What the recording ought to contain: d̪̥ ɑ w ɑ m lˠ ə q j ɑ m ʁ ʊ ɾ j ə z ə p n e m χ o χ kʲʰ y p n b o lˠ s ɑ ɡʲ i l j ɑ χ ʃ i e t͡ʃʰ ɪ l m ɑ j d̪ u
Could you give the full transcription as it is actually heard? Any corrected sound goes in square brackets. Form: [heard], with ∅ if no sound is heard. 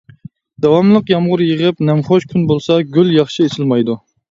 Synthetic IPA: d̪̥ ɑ w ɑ m lˠ ə q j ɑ m ʁ ʊ ɾ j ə [ʁ] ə p n [ɛ] m χ o [ʃ] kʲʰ y [∅] n b o lˠ s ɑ ɡʲ [y] l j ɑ χ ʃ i e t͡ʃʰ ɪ l m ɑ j d̪ u